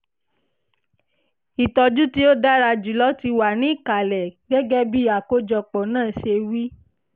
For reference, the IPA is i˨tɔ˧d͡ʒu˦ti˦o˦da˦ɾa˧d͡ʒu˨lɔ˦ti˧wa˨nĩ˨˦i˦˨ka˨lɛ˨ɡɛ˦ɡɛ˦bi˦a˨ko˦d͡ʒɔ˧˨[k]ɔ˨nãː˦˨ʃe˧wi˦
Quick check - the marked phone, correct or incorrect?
incorrect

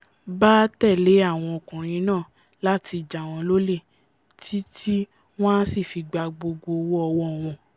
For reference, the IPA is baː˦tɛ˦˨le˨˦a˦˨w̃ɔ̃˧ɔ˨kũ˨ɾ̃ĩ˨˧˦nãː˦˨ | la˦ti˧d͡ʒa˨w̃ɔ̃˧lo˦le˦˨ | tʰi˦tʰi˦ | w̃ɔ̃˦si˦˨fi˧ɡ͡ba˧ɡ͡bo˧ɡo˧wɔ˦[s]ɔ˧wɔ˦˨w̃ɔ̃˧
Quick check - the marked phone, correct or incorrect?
incorrect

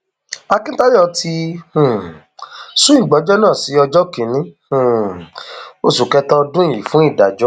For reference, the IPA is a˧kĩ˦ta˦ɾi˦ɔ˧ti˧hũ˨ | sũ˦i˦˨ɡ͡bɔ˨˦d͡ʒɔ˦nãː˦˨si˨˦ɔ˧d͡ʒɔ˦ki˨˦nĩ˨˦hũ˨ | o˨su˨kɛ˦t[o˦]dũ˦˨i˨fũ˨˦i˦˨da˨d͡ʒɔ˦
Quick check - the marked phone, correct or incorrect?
incorrect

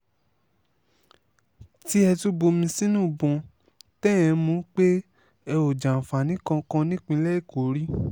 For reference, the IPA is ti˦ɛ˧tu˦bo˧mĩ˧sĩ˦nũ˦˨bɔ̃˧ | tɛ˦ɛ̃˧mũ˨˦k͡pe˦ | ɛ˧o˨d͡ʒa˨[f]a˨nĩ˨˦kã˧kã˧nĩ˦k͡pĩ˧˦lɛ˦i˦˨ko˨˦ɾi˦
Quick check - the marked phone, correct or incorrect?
correct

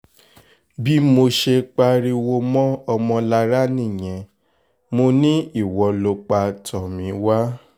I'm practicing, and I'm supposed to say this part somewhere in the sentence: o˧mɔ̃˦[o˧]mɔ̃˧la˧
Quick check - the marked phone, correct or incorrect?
incorrect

